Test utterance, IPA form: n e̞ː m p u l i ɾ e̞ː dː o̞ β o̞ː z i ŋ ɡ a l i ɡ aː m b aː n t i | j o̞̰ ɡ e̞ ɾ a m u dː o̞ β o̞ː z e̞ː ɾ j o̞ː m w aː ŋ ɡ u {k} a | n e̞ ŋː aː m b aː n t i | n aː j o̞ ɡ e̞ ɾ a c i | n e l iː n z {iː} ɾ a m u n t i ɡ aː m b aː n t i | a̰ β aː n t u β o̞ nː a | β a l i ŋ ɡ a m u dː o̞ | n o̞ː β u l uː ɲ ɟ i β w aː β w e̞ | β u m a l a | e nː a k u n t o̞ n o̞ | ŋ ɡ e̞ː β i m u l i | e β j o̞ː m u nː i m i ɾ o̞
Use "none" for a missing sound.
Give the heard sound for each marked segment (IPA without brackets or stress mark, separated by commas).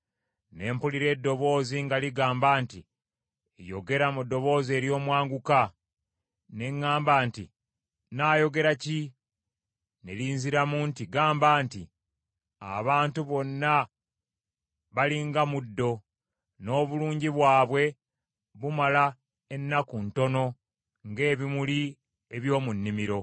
k, i